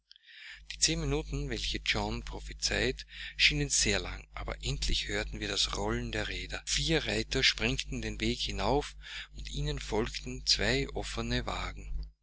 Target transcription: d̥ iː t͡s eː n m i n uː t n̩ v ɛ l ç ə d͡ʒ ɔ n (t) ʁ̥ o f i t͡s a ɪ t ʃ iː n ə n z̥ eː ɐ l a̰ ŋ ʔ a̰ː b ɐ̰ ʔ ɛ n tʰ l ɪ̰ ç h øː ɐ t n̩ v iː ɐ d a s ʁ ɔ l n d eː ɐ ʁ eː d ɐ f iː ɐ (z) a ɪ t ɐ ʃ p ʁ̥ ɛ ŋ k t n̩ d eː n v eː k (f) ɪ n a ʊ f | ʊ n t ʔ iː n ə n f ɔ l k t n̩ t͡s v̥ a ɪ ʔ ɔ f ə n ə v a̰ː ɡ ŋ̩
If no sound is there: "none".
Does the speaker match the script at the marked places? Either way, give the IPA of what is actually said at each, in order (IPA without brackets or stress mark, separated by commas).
p, ʁ, h